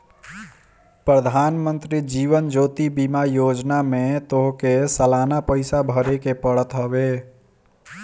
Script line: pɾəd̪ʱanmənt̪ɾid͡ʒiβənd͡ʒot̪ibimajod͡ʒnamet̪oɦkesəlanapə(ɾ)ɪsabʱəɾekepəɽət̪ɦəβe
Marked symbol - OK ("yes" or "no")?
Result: no